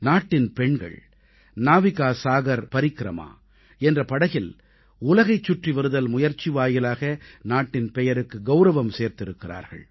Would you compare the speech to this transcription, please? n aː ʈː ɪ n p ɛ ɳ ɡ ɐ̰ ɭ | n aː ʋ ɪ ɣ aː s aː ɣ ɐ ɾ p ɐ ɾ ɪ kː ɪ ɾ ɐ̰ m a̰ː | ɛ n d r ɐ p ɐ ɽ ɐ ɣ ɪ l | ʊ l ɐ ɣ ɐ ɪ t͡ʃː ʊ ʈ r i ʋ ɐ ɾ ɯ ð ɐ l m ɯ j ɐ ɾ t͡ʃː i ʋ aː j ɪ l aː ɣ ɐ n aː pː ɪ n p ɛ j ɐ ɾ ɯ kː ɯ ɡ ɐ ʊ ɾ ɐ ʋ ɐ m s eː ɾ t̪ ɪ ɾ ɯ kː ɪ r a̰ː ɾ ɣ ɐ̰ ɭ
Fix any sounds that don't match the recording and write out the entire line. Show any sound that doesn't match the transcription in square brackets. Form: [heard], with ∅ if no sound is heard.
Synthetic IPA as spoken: n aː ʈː ɪ n p ɛ ɳ ɡ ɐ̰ ɭ | n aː ʋ ɪ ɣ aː s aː ɣ ɐ ɾ p ɐ ɾ ɪ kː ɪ ɾ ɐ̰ m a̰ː | ɛ n d r ɐ p ɐ ɽ ɐ ɣ ɪ l | ʊ l ɐ ɣ ɐ ɪ t͡ʃː ʊ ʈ r i ʋ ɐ ɾ ɯ ð ɐ l m [ʊ] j ɐ ɾ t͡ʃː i ʋ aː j ɪ l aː ɣ ɐ n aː [ʈː] ɪ n p ɛ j ɐ ɾ ɯ kː ɯ ɡ ɐ ʊ ɾ ɐ ʋ ɐ m s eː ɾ t̪ ɪ ɾ ɯ kː ɪ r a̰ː ɾ ɣ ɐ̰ ɭ